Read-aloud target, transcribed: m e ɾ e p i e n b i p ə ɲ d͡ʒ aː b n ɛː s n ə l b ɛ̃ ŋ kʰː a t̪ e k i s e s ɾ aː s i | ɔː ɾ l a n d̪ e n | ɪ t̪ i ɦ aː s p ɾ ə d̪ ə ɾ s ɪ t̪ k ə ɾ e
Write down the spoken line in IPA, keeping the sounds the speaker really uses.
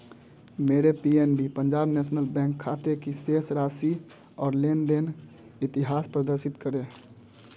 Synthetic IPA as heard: m e ɾ e p i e n b i p ə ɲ d͡ʒ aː b n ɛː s n ə l b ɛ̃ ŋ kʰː a t̪ e k i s e s ɾ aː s i | ɔː ɾ l e n d̪ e n | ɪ t̪ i ɦ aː s p ɾ ə d̪ ə ɾ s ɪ t̪ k ə ɾ e